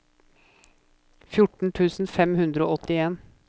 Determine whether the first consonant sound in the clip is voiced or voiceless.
voiceless